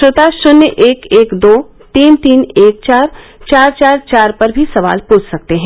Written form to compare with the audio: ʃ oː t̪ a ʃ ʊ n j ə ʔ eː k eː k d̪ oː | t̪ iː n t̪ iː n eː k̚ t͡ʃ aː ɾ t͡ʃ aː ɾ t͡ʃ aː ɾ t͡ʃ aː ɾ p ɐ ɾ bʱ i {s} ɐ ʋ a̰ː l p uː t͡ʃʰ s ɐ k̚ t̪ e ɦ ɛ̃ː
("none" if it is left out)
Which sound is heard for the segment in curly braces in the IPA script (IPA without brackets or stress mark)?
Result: s